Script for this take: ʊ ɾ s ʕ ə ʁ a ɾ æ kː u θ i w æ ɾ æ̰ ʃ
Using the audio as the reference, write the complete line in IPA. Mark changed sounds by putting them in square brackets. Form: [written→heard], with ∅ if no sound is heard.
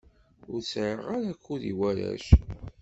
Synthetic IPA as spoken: ʊ ɾ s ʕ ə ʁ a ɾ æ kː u [θ→ð] i w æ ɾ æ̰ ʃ